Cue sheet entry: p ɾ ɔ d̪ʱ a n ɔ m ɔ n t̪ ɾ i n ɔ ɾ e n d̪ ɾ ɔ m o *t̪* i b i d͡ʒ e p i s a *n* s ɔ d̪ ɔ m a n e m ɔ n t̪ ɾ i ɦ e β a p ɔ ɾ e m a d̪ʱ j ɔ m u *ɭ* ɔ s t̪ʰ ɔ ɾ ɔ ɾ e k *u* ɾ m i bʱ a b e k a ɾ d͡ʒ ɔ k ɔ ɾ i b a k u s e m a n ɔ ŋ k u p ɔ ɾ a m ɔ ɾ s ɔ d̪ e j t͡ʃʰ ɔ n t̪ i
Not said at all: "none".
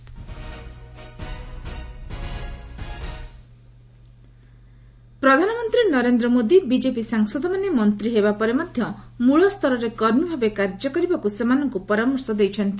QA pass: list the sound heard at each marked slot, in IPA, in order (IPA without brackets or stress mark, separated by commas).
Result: d̪, ŋ, ɭ, ɔ